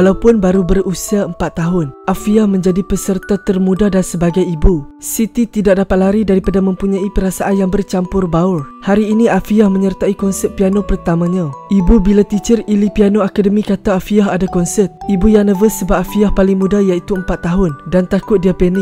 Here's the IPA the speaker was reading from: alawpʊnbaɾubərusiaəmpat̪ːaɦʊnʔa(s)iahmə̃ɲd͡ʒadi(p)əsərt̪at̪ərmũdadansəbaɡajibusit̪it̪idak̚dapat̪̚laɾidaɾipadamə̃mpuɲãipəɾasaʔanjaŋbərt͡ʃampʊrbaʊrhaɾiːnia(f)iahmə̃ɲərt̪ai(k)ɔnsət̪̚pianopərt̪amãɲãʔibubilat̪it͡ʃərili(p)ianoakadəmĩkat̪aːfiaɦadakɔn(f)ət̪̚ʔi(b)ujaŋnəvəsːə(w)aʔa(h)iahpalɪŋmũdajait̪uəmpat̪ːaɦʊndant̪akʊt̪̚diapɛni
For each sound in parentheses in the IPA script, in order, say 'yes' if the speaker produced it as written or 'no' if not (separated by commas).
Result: no, yes, yes, yes, yes, no, yes, no, no